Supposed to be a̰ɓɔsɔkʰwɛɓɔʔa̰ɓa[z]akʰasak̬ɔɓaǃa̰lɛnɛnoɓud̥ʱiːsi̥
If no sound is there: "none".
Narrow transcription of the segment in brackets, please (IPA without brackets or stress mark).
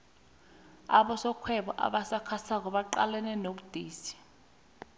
s